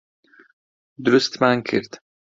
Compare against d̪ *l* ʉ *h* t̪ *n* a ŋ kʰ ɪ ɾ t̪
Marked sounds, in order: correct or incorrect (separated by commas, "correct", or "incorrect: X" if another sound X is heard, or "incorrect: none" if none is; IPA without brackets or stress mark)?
incorrect: ɾ, incorrect: s, incorrect: m